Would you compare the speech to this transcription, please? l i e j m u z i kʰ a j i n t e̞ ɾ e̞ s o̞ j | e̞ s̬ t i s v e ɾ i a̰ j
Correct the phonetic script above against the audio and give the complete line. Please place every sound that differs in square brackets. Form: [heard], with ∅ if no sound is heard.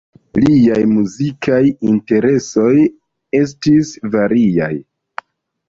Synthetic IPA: l i [a] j m u z i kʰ a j i n t e̞ ɾ e̞ s o̞ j | e̞ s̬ t i s v [a] ɾ i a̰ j

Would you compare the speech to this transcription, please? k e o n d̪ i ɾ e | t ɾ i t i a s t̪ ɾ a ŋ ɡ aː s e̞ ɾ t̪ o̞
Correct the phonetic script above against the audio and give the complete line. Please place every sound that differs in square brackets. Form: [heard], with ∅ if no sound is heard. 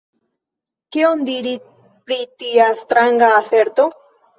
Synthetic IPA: k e o n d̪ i ɾ [i] | [p] ɾ i t i a s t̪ ɾ a ŋ ɡ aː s e̞ ɾ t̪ o̞

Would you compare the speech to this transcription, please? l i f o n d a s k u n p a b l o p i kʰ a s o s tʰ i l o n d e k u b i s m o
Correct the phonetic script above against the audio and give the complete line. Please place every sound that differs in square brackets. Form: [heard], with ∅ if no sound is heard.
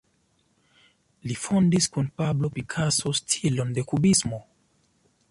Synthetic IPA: l i f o n d [i] s k u n p a b l o p i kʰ a s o s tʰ i l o n d e k u b i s m o

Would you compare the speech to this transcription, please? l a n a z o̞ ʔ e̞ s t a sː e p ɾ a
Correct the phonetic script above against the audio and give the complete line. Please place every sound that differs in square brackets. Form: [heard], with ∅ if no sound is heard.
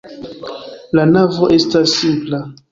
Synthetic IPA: l a n a [v] o̞ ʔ e̞ s t a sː [i] p [l] a

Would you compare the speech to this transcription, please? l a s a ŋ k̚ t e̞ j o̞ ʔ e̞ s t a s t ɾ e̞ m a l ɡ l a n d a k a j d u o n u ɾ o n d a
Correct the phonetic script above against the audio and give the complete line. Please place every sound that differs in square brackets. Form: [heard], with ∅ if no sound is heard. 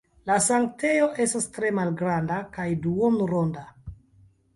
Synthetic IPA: l a s a ŋ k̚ t e̞ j o̞ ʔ e̞ s t a s t ɾ e̞ m a l ɡ [ɾ] a n d a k a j d u o n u ɾ o n d a

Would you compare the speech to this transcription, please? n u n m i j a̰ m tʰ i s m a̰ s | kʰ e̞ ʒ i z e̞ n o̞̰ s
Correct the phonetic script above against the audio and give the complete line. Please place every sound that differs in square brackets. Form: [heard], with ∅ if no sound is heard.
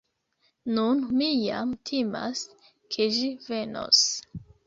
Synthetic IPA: n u n m i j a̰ m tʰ i [∅] m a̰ s | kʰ e̞ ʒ i [v] e̞ n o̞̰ s

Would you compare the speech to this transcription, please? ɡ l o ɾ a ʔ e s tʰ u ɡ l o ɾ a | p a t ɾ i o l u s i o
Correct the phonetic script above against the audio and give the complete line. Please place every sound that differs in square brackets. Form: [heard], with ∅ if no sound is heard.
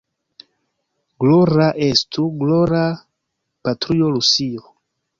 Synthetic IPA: ɡ l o ɾ a ʔ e s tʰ u ɡ l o ɾ a | p a t ɾ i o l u s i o

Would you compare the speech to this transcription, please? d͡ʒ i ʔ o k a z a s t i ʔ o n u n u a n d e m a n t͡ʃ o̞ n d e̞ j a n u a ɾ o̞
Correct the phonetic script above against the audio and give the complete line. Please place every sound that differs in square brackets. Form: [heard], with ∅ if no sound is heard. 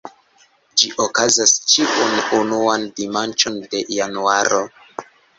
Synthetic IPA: d͡ʒ i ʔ o k a z a s [t͡ʃ] i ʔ [u] n u n u a n d [i] m a n t͡ʃ o̞ n d e̞ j a n u a ɾ o̞

